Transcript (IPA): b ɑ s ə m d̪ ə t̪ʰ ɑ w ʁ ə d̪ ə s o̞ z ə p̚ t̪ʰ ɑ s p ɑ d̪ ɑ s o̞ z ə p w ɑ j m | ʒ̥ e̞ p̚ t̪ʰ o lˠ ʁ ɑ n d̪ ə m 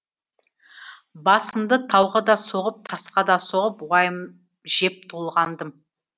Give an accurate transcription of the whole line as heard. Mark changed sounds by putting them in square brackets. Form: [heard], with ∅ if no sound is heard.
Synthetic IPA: b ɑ s ə m d̪ ə t̪ʰ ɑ w ʁ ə d̪ [ɑ] s o̞ [ʁ] ə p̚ t̪ʰ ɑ s [q] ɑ d̪ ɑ s o̞ [ʁ] ə p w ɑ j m | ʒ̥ e̞ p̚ t̪ʰ o lˠ ʁ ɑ n d̪ ə m